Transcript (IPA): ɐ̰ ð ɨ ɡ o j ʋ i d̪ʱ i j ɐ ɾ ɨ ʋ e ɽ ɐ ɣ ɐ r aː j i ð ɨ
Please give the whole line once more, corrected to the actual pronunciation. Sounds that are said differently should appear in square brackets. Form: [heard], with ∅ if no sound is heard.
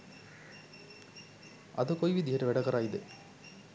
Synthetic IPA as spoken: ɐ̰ ð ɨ [k] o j ʋ i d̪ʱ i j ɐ ɾ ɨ ʋ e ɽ ɐ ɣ ɐ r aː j i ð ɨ